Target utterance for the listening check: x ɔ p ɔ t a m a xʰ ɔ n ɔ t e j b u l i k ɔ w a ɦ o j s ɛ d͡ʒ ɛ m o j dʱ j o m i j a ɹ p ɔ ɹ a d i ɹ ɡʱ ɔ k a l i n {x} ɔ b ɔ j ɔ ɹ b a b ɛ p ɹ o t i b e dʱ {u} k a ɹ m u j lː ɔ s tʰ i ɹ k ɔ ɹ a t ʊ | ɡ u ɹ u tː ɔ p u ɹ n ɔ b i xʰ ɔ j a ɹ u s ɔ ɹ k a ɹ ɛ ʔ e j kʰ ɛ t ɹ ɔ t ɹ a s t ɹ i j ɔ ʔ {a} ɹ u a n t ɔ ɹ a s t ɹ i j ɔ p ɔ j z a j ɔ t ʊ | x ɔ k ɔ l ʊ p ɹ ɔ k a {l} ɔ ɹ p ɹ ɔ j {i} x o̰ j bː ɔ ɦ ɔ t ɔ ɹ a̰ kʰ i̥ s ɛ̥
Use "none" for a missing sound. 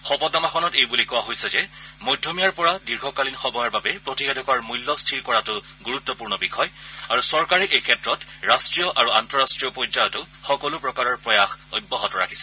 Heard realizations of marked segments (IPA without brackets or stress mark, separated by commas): x, ɔ, a, ɹ, a